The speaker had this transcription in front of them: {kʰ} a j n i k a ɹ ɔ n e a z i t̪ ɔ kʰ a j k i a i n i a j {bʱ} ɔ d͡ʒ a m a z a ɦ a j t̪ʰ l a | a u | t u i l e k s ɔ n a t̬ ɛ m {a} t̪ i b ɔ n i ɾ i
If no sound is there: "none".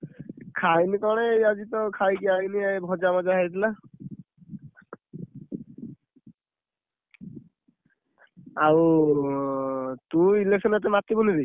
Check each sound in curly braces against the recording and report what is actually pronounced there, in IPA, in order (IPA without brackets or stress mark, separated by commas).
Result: kʰ, bʱ, a